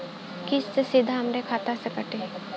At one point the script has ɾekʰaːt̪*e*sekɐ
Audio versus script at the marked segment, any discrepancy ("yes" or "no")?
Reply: yes